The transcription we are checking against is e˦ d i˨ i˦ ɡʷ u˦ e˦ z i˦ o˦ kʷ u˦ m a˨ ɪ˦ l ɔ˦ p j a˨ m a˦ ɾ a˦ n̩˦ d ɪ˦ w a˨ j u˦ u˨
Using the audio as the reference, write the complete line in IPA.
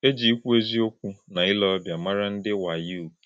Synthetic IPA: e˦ d͡ʒ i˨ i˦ kʷ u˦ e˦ z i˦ o˦ kʷ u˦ n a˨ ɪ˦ l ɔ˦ b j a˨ m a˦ ɾ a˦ n̩˦ d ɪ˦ w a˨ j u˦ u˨